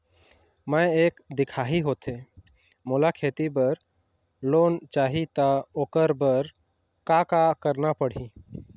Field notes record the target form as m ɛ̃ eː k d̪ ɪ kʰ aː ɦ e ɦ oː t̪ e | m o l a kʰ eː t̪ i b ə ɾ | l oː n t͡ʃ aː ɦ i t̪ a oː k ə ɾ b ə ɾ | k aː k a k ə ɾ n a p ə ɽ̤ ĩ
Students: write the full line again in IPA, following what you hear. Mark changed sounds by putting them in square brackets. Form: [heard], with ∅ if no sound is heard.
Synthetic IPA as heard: m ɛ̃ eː k d̪ ɪ kʰ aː ɦ [i] ɦ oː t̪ e | m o l a kʰ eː t̪ i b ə ɾ | l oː n t͡ʃ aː ɦ i t̪ a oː k ə ɾ b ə ɾ | k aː k a k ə ɾ n a p ə ɽ̤ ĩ